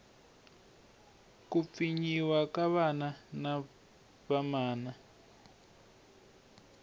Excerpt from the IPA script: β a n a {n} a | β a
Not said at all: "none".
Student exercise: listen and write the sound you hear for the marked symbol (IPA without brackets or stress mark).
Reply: n